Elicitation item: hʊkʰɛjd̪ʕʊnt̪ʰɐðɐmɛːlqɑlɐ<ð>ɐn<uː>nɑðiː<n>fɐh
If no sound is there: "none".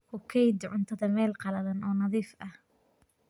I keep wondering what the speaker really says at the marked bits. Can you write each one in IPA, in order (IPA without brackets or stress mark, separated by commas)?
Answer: ð, ɔː, none